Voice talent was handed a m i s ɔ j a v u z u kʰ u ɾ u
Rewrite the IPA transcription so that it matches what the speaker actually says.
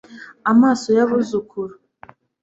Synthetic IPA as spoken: a m a s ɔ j a β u z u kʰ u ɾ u

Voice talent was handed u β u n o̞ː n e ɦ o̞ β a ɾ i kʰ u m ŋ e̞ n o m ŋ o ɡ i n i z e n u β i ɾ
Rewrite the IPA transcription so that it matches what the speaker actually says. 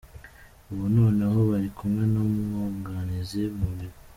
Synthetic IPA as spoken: u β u n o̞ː n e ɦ o̞ β a ɾ i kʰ u m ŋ e̞ n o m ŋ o ɡ a n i z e m u β i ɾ

